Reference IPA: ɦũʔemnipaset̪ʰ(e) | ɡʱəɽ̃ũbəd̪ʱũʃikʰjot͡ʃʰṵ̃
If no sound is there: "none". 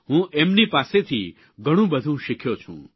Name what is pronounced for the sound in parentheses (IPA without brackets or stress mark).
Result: i